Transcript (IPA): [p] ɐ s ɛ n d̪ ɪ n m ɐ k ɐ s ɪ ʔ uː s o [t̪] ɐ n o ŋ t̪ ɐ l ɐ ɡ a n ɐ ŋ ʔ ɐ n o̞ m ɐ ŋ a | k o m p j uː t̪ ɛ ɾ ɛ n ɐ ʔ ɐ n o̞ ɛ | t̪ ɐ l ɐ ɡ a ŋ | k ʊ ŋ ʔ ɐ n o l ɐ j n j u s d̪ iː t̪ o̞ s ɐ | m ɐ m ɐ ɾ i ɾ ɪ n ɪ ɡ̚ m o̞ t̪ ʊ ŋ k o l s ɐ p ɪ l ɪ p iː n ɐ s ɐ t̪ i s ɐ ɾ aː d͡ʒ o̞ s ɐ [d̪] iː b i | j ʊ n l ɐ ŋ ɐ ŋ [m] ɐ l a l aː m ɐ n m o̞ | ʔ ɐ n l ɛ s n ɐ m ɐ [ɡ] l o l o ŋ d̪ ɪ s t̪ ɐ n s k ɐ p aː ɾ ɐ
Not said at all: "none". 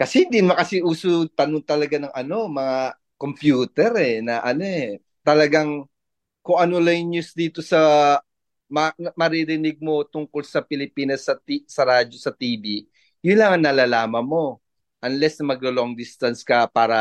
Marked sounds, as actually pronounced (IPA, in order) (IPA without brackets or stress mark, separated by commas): k, t̪, t̪, n, ɡ